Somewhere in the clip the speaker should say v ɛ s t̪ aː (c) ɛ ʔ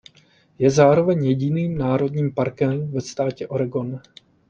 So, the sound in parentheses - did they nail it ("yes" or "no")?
yes